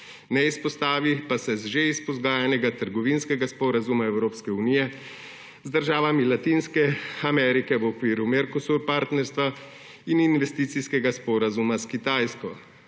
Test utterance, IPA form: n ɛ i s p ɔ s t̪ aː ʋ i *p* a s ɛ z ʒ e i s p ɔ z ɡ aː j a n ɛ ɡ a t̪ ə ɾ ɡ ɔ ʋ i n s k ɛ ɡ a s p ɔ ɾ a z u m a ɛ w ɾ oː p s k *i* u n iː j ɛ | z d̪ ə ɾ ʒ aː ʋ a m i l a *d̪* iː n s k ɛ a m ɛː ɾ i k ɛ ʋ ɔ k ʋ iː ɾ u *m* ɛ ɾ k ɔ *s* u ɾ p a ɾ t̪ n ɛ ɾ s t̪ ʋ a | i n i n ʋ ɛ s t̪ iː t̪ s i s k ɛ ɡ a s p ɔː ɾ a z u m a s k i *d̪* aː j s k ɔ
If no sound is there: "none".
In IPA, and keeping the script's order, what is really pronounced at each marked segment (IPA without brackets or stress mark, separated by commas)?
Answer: p, ɛ, t̪, m, s, t̪